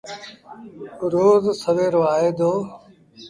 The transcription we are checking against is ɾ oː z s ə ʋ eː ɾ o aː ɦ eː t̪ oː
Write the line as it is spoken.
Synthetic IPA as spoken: ɾ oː z s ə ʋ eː ɾ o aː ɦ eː d̪ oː